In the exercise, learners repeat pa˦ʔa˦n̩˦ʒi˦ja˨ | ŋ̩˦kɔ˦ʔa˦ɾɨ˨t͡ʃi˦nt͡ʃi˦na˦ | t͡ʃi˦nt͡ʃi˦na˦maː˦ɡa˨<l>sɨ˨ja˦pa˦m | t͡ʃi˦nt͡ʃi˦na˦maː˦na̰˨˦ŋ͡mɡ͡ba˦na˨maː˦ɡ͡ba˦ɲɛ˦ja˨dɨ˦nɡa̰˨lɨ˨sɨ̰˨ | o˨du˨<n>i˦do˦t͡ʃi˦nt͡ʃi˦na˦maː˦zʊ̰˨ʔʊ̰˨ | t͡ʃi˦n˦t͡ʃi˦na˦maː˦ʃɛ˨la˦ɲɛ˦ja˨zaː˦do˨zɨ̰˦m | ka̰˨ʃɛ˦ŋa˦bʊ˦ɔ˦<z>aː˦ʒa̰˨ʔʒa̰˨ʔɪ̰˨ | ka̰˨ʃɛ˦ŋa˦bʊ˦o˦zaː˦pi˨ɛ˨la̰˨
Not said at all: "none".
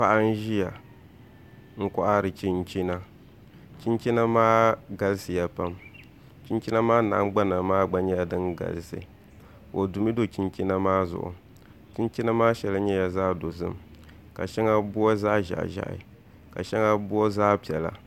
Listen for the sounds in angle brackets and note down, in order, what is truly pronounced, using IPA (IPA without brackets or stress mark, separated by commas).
l, m, z